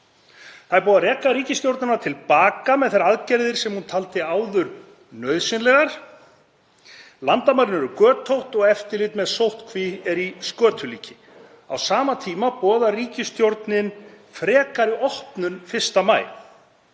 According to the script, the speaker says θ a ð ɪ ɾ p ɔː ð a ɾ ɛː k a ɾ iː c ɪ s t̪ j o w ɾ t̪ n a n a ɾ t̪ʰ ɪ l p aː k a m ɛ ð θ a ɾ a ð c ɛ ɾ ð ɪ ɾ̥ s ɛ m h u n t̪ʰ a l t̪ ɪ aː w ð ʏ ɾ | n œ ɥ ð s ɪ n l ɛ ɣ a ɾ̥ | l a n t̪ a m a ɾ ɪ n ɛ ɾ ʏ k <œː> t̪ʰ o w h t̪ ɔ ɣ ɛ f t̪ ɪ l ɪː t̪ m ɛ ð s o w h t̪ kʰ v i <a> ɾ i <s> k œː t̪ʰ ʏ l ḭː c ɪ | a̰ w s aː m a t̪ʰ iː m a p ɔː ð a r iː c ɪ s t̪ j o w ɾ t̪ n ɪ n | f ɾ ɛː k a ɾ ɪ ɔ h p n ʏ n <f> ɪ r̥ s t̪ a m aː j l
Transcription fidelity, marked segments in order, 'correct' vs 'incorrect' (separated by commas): correct, incorrect, correct, correct